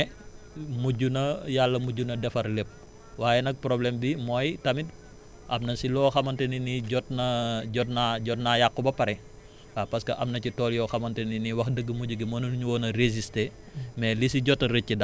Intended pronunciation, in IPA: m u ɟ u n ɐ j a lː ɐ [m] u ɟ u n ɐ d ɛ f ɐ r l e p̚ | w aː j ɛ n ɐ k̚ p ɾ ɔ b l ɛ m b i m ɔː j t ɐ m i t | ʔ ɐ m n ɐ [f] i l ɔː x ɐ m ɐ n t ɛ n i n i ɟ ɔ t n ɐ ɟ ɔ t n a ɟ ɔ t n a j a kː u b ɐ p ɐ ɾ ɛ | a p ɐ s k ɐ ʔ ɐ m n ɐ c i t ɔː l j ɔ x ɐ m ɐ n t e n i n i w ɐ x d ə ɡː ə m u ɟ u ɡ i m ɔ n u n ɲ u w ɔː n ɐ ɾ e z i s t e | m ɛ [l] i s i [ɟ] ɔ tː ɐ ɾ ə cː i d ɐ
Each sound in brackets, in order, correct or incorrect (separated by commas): correct, incorrect, correct, correct